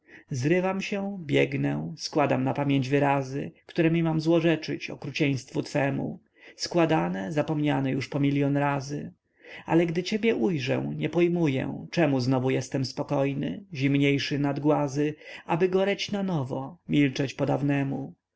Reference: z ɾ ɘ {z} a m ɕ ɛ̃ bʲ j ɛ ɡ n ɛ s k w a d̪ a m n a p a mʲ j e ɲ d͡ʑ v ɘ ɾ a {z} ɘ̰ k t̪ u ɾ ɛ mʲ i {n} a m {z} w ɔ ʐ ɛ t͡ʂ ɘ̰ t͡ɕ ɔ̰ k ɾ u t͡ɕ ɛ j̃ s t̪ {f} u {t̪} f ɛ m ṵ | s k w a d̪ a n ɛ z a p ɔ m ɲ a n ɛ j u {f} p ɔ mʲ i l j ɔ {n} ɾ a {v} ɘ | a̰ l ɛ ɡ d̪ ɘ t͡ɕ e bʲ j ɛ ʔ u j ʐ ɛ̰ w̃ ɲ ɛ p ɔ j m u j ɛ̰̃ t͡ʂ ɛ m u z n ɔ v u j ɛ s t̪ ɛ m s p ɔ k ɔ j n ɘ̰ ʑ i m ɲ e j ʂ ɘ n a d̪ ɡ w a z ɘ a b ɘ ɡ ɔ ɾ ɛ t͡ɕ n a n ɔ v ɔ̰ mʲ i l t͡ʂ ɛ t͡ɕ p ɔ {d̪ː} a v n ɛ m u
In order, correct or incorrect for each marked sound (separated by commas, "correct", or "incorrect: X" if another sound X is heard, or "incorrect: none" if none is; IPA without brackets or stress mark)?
incorrect: v, correct, incorrect: m, correct, correct, correct, incorrect: ʂ, correct, incorrect: z, incorrect: d̪